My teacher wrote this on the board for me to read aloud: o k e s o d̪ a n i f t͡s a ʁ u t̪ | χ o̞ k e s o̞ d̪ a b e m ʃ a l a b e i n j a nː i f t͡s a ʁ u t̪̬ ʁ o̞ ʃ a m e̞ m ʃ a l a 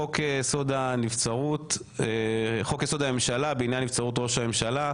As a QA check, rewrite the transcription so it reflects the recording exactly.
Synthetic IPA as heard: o k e s o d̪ a n i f t͡s a ʁ u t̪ | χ o̞ k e s o̞ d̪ a m e m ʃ a l a b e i n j a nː i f t͡s a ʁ u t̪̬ ʁ o̞ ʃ a m e̞ m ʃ a l a